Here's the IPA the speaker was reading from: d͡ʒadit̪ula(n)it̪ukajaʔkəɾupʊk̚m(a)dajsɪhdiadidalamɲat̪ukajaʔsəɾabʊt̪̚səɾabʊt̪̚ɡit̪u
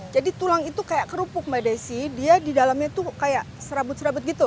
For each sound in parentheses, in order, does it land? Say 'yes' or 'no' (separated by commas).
no, yes